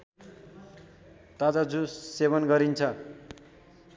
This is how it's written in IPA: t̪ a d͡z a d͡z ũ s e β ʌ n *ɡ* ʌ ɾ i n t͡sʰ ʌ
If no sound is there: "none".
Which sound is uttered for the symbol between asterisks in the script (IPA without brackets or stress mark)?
ɡ